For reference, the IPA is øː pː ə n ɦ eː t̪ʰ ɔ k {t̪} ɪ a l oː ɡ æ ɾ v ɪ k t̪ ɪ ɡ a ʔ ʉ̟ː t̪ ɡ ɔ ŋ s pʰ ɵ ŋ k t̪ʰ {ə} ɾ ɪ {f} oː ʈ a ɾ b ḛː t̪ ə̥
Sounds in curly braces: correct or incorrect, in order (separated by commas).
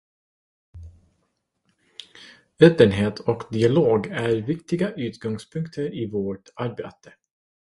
incorrect, correct, incorrect